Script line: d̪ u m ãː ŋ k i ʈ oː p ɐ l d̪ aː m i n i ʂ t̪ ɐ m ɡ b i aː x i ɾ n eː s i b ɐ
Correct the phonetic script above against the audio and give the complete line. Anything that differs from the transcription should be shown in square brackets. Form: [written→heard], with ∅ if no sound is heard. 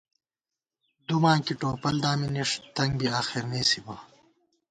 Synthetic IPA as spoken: d̪ u m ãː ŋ k i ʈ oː p ɐ l d̪ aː m i n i ʂ t̪ ɐ [m→ŋ] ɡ b i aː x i ɾ n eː s i b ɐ

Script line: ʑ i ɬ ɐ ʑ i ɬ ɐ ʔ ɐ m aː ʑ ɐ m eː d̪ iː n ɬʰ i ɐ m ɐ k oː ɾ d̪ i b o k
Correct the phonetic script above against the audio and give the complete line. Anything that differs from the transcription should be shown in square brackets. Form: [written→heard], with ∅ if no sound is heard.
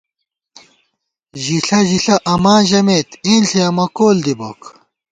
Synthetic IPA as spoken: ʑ i ɬ ɐ ʑ i ɬ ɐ ʔ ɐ m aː ʑ ɐ m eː [d̪→t̪] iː n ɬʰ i ɐ m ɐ k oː [ɾ→l] d̪ i b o k

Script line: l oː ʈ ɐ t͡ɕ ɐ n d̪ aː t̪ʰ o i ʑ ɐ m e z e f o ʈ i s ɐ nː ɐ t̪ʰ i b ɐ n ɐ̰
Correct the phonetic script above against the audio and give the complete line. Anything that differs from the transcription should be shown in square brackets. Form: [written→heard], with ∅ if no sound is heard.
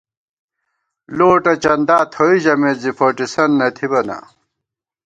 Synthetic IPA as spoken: l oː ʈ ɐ t͡ɕ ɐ n d̪ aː t̪ʰ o i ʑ ɐ m e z [e→i] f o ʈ i s ɐ nː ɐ t̪ʰ i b ɐ n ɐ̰

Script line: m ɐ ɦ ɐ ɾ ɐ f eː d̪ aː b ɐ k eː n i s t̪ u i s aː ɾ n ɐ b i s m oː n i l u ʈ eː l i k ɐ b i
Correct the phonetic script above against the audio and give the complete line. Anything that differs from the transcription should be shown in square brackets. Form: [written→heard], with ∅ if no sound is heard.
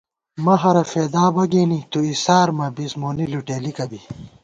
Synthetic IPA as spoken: m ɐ ɦ ɐ ɾ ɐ f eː d̪ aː b ɐ [k→ɡ] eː n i [s→∅] t̪ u i s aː ɾ [n→m] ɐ b i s m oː n i l u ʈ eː l i k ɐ b i

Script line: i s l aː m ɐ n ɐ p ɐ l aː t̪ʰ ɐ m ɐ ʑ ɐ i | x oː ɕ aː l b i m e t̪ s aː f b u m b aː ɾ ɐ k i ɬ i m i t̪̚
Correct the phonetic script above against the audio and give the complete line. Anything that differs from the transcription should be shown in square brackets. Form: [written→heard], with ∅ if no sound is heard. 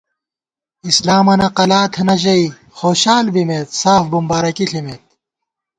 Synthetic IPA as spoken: i s l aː m ɐ n ɐ [p→q] ɐ l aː t̪ʰ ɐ [m→n] ɐ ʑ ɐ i | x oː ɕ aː l b i m e t̪ s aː f b u m b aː ɾ ɐ k i ɬ i m [i→e] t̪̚

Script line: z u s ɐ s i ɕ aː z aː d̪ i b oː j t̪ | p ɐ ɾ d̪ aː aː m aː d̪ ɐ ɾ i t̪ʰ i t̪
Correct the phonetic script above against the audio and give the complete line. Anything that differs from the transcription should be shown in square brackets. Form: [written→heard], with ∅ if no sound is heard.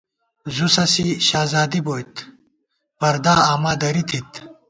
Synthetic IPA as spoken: z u s ɐ s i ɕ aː z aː d̪ i b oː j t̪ | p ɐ ɾ d̪ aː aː m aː d̪ ɐ ɾ i t̪ʰ i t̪

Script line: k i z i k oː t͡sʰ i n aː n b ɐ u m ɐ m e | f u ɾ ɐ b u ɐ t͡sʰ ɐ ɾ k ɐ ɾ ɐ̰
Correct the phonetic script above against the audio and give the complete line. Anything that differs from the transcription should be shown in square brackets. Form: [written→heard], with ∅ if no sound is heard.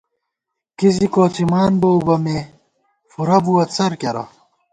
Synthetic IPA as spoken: k i z i k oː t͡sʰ i [n→m] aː n b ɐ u [m→b] ɐ m e | f u ɾ ɐ b u ɐ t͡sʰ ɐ ɾ k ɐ ɾ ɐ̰

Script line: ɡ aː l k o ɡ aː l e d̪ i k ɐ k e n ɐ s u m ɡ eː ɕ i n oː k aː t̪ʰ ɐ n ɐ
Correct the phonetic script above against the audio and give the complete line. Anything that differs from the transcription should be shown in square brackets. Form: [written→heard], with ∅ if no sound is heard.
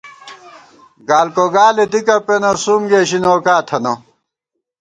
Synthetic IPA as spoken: ɡ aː l k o ɡ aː l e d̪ i k ɐ [k→p] e n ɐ s u m ɡ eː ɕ i n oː k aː t̪ʰ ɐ n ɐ

